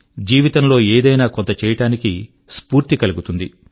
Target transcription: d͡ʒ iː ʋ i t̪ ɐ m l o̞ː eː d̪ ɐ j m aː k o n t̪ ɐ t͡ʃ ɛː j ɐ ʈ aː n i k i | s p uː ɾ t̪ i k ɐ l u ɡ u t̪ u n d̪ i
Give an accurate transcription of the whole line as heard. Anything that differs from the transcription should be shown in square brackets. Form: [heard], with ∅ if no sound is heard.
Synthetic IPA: d͡ʒ iː ʋ i t̪ ɐ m l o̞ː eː d̪ ɐ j [n] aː k o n t̪ ɐ t͡ʃ ɛː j ɐ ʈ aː n i k i | s p uː ɾ t̪ i k ɐ l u ɡ u t̪ u n d̪ i